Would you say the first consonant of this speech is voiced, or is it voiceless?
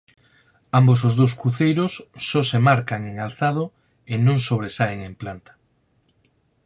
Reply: voiced